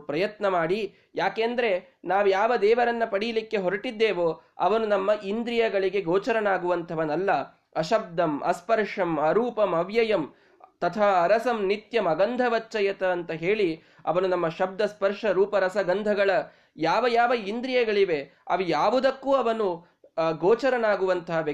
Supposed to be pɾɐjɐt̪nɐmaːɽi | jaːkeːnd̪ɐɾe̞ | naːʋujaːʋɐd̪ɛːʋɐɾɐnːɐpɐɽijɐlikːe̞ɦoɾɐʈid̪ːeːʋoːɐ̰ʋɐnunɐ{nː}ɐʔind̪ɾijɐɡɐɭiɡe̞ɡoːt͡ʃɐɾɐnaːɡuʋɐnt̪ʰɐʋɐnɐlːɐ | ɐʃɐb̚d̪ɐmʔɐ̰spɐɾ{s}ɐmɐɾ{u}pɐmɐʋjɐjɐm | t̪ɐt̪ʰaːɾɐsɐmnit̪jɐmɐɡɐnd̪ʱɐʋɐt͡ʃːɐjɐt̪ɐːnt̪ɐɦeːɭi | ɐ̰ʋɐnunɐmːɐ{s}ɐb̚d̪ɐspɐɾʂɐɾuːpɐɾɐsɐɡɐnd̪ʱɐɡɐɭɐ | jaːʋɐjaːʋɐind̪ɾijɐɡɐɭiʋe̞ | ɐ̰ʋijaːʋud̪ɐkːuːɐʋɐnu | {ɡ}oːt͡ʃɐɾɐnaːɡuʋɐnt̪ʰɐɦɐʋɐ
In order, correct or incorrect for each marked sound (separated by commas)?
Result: incorrect, incorrect, incorrect, incorrect, correct